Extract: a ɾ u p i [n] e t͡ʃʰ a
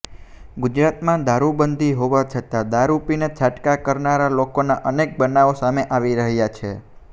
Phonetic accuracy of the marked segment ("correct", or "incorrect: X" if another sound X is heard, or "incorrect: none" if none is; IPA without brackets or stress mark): correct